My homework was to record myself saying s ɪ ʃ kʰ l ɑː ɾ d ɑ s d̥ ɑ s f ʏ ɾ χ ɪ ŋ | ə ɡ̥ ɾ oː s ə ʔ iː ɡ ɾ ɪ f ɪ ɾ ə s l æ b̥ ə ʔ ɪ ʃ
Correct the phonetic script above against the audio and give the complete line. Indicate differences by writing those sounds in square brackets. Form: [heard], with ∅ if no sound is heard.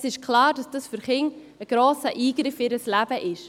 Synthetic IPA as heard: s ɪ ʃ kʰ l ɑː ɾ d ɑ s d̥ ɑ s f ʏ ɾ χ ɪ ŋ | ə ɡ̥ ɾ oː s ə ʔ iː ɡ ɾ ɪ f ɪ ɾ ə s l æ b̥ ə ʔ ɪ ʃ

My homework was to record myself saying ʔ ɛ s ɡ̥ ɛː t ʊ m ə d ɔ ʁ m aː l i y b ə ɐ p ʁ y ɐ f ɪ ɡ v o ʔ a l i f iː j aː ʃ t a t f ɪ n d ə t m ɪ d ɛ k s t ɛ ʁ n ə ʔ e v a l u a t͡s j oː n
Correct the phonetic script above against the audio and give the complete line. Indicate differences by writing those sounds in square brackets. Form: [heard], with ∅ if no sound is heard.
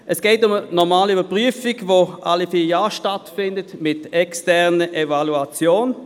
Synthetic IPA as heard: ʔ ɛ s ɡ̥ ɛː t ʊ m ə [n] ɔ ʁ m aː l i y b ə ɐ p ʁ y [ə] f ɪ ɡ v o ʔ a l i f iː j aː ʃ t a t f ɪ n d ə t m ɪ [t] ɛ k s t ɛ ʁ n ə ʔ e v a l u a t͡s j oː n

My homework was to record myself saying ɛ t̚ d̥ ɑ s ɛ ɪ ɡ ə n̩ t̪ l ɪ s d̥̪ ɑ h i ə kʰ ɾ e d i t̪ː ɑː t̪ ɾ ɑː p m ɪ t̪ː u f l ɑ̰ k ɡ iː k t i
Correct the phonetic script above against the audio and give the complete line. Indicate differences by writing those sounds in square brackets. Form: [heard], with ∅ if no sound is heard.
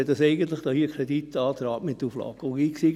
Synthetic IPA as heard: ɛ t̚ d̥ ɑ s ɛ ɪ ɡ ə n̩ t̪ l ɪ [χ] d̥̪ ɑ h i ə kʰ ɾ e d i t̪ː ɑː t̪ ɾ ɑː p m ɪ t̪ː u f l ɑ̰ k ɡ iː k [s] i

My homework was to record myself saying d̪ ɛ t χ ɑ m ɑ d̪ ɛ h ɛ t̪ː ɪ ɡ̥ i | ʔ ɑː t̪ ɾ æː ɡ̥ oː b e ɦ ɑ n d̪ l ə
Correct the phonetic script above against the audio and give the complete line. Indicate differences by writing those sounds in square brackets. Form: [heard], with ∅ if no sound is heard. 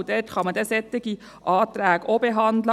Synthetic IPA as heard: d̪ ɛ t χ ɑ m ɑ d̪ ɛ [s] ɛ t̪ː ɪ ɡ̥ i | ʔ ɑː t̪ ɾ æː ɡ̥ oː b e ɦ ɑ n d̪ l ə

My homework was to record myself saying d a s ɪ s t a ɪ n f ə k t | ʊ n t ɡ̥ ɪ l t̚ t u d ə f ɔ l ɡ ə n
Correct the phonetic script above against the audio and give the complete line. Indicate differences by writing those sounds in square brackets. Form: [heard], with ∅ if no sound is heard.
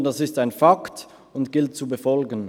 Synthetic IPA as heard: d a s ɪ s t a ɪ n f [a] k t | ʊ n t ɡ̥ ɪ l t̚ [t͡s] u [b] ə f ɔ l ɡ ə n

